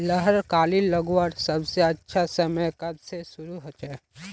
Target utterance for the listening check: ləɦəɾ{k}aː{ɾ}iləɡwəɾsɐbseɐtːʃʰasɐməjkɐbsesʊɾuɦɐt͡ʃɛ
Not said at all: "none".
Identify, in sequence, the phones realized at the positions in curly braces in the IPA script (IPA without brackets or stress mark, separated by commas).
k, l